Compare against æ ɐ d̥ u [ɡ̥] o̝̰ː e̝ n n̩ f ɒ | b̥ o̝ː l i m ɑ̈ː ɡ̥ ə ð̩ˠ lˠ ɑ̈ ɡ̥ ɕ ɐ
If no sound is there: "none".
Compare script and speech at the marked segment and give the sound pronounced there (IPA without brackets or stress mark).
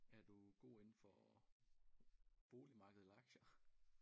ɡ̥